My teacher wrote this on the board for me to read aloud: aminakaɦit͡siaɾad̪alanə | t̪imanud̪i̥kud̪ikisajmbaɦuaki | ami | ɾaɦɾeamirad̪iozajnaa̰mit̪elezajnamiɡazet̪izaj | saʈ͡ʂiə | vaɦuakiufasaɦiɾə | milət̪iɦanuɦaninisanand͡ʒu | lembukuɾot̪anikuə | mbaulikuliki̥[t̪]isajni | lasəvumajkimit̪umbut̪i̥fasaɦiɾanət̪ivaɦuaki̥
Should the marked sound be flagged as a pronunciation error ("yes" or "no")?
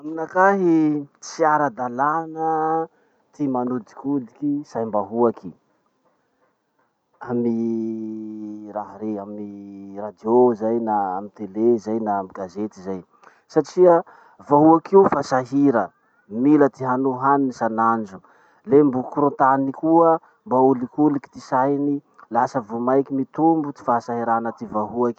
no